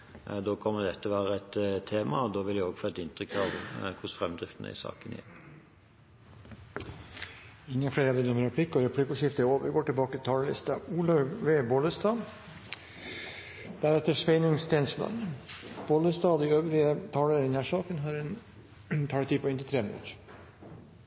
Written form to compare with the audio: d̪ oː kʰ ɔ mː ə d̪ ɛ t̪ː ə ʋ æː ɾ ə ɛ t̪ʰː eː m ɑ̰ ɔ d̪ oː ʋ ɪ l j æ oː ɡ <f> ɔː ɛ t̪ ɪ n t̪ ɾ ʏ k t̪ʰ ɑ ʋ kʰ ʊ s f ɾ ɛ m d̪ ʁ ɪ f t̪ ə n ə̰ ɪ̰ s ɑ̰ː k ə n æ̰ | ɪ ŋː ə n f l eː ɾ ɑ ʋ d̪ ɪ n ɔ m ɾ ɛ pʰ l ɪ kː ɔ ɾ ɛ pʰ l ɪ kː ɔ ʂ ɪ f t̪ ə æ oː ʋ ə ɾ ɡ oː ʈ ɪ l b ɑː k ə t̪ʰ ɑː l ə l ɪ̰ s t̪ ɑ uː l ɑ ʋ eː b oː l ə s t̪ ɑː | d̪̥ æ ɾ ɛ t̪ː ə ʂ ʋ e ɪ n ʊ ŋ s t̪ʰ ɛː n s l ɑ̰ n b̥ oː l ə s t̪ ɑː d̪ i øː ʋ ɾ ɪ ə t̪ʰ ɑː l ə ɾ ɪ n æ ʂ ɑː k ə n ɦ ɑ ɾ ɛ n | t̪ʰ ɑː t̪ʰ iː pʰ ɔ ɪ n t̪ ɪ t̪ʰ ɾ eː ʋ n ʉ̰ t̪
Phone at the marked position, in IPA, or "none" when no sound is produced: f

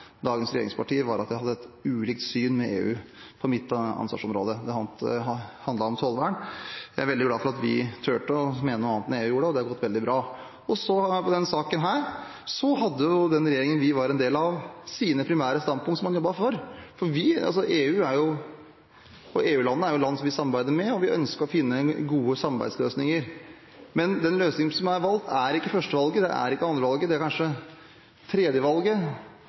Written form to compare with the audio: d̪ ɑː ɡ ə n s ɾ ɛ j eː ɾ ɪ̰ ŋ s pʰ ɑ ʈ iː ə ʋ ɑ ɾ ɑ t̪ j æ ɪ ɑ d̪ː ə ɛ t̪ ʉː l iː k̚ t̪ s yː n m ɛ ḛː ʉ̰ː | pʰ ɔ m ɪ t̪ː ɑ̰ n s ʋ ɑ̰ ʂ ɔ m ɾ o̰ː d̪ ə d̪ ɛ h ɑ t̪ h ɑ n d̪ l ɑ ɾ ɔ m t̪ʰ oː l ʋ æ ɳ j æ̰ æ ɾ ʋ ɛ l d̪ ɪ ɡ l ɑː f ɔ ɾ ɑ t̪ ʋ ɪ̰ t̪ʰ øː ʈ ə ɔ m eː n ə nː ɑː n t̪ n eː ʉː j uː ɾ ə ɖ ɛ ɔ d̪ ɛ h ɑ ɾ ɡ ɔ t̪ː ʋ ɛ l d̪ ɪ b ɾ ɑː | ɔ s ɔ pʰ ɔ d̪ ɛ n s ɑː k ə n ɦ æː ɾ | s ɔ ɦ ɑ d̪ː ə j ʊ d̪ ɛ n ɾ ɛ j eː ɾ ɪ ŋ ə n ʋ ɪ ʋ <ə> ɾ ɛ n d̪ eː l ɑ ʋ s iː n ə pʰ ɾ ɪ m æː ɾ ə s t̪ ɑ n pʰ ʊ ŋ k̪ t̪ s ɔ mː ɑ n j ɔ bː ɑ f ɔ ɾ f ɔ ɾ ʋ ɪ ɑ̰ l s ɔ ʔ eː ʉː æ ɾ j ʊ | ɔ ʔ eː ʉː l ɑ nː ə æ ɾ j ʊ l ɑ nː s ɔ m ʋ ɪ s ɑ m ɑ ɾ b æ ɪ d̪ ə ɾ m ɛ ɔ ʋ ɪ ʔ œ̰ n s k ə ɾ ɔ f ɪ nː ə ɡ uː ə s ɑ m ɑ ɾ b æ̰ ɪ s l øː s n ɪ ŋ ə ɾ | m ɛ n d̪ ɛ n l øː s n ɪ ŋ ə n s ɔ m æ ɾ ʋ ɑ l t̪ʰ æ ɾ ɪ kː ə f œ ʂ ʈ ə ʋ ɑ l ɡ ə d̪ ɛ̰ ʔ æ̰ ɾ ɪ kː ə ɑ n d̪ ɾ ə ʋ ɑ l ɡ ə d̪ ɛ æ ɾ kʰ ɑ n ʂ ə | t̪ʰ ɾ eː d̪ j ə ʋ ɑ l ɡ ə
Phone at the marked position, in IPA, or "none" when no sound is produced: ɑ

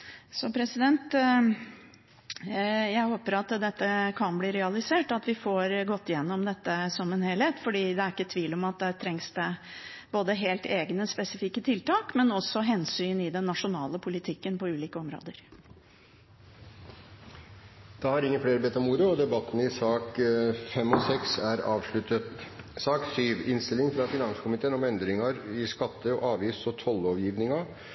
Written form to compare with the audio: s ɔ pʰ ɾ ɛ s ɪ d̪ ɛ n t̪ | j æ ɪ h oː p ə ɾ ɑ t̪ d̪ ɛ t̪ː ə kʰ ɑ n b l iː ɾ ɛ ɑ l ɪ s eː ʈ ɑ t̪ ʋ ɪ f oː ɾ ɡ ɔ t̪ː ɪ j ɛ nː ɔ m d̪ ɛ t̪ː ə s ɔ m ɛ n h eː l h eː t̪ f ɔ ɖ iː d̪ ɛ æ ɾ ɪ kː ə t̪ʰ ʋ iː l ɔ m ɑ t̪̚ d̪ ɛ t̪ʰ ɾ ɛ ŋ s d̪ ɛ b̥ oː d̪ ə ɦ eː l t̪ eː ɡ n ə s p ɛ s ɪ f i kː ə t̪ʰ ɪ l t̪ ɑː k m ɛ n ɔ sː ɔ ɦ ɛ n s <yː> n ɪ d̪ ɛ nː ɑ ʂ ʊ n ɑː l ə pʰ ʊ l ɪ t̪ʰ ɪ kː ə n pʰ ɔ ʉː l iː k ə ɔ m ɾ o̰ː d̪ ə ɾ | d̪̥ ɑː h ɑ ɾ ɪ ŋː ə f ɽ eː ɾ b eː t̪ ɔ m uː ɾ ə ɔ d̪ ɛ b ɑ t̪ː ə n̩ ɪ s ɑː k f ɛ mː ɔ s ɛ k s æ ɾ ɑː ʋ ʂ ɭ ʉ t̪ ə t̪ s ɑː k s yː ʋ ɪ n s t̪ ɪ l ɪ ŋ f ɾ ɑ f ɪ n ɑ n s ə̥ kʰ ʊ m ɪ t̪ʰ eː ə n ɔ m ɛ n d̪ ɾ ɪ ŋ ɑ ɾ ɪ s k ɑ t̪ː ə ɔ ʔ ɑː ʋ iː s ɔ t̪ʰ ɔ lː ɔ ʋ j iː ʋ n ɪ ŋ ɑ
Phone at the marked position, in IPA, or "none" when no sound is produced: yː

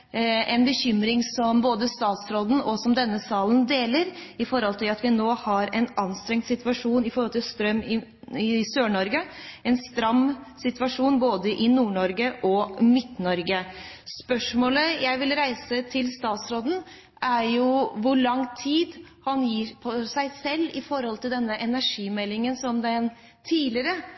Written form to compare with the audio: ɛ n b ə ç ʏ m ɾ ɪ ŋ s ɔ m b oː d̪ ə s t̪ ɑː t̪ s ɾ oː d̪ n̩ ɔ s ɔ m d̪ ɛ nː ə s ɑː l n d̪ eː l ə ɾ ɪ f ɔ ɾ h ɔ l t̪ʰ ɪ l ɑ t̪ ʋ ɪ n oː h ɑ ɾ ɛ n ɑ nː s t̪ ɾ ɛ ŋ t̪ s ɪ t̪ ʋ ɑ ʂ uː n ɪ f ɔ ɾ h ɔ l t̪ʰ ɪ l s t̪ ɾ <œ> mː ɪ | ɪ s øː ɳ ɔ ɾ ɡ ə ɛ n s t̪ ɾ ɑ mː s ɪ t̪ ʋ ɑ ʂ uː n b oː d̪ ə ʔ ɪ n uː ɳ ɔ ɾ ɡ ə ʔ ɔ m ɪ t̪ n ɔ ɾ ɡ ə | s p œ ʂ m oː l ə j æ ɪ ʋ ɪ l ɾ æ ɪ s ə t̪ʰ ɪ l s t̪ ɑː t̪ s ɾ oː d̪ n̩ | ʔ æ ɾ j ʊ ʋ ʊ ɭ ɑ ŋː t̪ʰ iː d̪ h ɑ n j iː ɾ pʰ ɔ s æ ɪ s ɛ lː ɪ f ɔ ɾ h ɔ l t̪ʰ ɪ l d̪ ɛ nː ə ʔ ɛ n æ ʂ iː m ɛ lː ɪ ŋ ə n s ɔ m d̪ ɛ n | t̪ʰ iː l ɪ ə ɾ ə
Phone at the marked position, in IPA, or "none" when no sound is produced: œ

